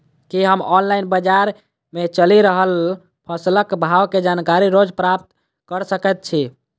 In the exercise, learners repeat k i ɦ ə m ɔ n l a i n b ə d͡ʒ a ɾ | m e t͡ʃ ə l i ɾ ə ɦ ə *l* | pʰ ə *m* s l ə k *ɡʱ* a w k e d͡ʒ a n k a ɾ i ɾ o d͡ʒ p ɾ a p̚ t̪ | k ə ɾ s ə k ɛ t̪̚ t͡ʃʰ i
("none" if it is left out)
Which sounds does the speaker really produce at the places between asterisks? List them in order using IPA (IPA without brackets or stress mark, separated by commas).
l, none, bʱ